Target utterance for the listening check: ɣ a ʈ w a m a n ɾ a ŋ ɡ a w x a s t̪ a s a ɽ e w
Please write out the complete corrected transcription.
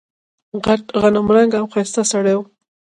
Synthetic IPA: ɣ a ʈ ɣ a n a m ɾ a ŋ ɡ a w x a s t̪ a s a ɽ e w

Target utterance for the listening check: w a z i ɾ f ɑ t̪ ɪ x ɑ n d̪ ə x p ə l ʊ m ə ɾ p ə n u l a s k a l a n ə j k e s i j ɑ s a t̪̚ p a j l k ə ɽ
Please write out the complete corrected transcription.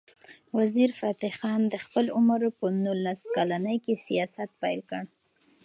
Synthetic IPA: w a z i ɾ f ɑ t̪ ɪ x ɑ n d̪ ə x p ə l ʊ m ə ɾ p ə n u l a s k a l a n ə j k e s i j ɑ s a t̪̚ p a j l k ə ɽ

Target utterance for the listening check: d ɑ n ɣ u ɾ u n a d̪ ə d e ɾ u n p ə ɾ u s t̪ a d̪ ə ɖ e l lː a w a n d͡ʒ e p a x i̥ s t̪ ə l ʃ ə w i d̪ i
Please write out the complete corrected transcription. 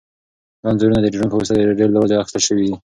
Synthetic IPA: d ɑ n z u ɾ u n a d̪ ə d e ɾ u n p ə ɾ u s t̪ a d̪ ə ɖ e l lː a w a d͡ʒ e a x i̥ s t̪ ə l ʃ ə w i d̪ i

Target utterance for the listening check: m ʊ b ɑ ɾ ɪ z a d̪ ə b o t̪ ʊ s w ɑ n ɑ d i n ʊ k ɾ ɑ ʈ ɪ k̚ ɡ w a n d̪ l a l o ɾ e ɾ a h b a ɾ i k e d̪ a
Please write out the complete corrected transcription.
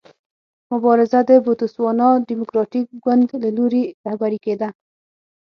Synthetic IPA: m ʊ b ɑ ɾ ɪ z a d̪ ə b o t̪ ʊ s w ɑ n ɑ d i m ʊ k ɾ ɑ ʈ i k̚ ɡ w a n d̪ l a l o ɾ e ɾ a h b a ɾ i k e d̪ a

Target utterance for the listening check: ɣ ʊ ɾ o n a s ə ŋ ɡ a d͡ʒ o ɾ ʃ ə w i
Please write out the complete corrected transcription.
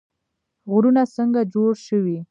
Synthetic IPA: ɣ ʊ ɾ u n a s ə ŋ ɡ a d͡ʒ o ɽ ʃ ə w i

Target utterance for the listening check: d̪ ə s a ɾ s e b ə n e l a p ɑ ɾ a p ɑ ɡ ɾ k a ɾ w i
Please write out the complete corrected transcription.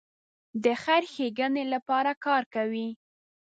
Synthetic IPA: d̪ ə x a ɾ x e ɡ ə n e l a p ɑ ɾ a k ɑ ɾ k a w i

